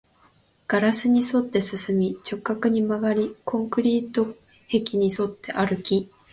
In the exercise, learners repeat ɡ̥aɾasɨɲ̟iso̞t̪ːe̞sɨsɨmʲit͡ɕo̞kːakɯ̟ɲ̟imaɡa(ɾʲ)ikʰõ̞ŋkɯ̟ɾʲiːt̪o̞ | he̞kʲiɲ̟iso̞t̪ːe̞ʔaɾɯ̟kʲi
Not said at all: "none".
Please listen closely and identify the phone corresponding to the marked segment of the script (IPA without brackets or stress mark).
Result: ɾʲ